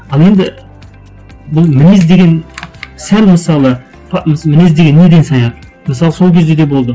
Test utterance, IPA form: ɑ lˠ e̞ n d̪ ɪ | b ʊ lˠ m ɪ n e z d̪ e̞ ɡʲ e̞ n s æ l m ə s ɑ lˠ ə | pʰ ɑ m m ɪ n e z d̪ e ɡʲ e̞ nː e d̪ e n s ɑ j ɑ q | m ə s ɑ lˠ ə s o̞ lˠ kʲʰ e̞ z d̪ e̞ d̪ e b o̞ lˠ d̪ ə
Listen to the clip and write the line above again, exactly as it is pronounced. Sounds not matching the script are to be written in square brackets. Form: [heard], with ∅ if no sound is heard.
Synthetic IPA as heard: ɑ lˠ e̞ n d̪ ɪ | b ʊ lˠ m ɪ n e z d̪ e̞ ɡʲ e̞ n s æ l m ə s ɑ lˠ ə | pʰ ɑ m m ɪ n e z d̪ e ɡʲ e̞ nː e d̪ e n s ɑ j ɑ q | m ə s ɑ lˠ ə s o̞ lˠ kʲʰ e̞ z d̪ e̞ d̪ e b o̞ lˠ d̪ ə